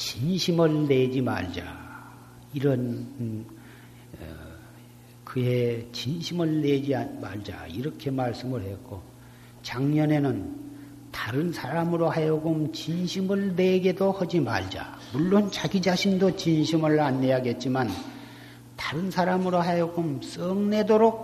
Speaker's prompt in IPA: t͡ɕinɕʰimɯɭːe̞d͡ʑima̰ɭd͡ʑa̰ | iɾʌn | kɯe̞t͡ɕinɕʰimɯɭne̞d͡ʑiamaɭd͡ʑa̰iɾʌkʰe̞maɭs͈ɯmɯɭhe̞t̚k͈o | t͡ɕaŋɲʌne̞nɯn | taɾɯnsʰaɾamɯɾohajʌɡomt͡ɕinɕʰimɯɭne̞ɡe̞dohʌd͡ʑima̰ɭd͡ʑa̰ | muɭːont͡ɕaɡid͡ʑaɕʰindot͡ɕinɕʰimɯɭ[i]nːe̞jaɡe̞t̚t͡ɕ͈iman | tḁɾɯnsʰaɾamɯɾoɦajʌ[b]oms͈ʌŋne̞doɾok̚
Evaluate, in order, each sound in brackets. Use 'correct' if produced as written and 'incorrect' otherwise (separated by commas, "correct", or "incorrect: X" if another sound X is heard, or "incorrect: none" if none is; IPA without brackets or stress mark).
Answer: incorrect: a, incorrect: ɡ